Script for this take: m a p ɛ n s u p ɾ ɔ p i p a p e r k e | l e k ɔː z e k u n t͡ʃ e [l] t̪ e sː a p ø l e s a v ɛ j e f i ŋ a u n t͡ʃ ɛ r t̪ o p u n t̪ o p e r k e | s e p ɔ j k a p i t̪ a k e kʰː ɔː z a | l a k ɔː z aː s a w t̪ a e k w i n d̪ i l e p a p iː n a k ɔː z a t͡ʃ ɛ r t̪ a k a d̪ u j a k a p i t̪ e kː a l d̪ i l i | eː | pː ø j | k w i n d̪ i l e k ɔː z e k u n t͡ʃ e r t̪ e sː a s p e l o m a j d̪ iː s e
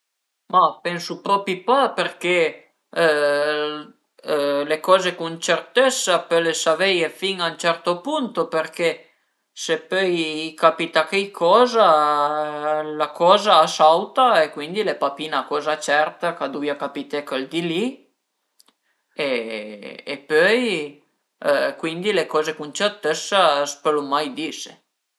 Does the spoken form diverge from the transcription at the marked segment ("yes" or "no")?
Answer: yes